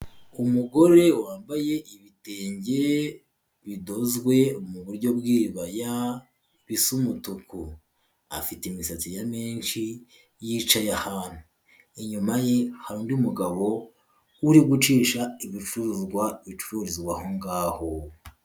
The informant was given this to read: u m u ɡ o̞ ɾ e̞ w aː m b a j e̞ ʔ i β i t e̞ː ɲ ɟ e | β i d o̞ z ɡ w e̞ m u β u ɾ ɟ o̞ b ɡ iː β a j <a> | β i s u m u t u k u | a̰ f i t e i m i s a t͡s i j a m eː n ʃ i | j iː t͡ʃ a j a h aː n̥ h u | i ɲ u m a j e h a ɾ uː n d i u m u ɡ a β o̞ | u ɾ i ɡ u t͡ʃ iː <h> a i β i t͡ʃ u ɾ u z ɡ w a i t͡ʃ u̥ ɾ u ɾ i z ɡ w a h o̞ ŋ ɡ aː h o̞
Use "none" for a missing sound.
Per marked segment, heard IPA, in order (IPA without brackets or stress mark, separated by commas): a, ʃ